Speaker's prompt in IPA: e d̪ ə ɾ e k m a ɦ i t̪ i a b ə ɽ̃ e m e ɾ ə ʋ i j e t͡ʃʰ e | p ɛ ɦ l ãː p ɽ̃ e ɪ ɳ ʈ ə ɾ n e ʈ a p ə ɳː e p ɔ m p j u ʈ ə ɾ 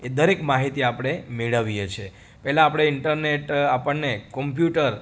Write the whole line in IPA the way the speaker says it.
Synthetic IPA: e d̪ ə ɾ e k m a ɦ i t̪ i a p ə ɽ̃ e m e ɭ ə ʋ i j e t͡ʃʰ e | p ɛ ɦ l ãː p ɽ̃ e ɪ ɳ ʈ ə ɾ n e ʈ a p ə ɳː e k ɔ m p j u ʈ ə ɾ